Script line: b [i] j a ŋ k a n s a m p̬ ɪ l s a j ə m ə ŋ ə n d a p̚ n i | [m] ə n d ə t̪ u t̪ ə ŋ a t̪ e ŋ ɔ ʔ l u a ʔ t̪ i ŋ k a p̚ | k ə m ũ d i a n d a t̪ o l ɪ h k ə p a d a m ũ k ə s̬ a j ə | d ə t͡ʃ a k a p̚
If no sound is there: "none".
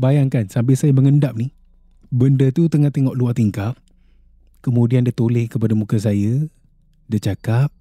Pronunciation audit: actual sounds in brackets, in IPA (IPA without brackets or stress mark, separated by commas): a, b